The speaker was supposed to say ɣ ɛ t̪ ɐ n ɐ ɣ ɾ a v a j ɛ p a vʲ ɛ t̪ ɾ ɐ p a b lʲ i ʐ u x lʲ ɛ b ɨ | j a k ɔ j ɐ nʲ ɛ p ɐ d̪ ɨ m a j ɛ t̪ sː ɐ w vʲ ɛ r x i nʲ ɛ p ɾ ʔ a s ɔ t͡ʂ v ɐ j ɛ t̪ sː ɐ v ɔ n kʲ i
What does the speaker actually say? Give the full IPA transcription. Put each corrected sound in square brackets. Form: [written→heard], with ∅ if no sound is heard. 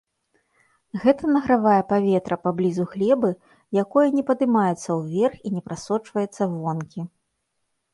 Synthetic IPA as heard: ɣ ɛ t̪ ɐ n ɐ ɣ ɾ a v a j ɛ p a vʲ ɛ t̪ ɾ ɐ p a b lʲ i [ʐ→z] u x lʲ ɛ b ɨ | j a k ɔ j ɐ nʲ ɛ p ɐ d̪ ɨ m a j ɛ t̪ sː ɐ w vʲ ɛ r x i nʲ ɛ p ɾ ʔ a s ɔ t͡ʂ v ɐ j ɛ t̪ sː ɐ v ɔ n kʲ i